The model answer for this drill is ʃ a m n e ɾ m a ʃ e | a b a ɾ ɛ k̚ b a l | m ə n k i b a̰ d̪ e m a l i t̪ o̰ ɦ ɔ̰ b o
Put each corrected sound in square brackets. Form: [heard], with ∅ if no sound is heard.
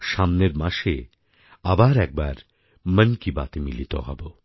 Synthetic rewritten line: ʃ a m n e ɾ m a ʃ e | a b a ɾ ɛ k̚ b a [ɾ] | m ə n k i b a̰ [t̪] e m [i] l i t̪ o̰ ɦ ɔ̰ b o